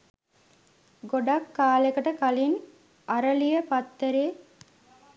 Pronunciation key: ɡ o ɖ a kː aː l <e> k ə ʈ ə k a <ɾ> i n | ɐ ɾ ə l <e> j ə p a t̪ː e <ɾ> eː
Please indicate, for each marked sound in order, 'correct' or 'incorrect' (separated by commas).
correct, incorrect, incorrect, correct